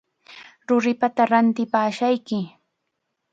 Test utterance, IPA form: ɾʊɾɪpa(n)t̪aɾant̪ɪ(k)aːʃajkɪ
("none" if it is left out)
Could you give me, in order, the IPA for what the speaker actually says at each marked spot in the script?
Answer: none, p

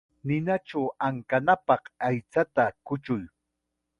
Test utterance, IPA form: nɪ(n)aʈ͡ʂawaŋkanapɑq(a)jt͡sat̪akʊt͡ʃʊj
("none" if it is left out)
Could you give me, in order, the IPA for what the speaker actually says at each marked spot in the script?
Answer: n, a

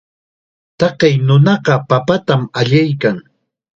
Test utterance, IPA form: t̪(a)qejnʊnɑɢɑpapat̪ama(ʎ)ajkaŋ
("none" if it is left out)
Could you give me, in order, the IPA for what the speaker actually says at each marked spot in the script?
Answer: ɑ, ʎ

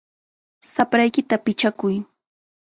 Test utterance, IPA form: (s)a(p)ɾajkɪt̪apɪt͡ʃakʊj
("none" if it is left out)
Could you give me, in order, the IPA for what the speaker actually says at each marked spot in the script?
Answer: s, p

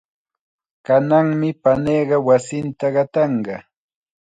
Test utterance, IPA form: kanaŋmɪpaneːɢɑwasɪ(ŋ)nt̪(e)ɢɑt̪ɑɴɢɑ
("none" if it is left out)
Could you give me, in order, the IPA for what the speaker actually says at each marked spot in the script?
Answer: none, a

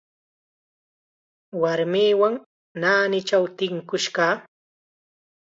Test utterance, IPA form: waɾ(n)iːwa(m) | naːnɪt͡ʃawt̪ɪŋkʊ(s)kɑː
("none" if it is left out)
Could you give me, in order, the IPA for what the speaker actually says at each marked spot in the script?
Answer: m, ŋ, ʃ

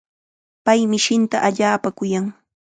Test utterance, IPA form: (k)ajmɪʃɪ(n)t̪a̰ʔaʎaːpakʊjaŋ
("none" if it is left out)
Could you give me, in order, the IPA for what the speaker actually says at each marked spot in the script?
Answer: p, n

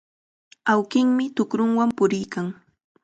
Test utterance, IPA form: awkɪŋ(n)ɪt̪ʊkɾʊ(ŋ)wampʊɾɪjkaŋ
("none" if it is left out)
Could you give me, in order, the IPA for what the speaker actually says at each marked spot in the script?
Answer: m, ŋ

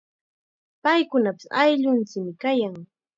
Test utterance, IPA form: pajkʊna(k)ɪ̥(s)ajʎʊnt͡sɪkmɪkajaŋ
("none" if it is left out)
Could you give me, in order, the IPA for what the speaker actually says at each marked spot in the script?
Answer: p, s

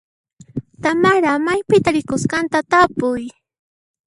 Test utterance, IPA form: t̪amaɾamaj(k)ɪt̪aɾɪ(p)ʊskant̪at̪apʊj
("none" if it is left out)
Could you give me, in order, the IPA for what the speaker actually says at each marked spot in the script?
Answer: p, k

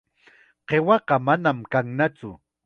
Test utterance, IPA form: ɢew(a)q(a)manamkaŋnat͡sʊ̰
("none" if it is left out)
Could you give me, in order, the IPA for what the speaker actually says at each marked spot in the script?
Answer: ɑ, ɑ

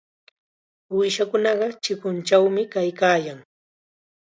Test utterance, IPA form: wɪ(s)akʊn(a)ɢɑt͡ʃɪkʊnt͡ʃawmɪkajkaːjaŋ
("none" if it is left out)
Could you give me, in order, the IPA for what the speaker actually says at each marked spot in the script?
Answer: ʃ, ɑ

